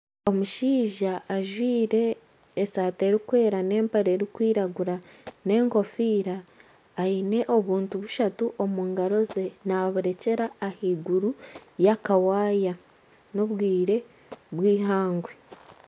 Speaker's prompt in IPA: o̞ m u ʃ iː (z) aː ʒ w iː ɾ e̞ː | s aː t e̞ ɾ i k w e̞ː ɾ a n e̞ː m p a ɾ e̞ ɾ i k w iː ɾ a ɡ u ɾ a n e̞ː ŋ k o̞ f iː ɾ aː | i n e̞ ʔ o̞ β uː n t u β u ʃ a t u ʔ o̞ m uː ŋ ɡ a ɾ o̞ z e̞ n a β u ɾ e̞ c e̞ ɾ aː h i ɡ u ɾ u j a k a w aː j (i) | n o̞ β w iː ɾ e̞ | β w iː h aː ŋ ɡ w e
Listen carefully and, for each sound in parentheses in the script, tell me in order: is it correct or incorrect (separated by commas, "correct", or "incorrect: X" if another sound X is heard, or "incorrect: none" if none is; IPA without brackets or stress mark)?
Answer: incorrect: ʒ, incorrect: a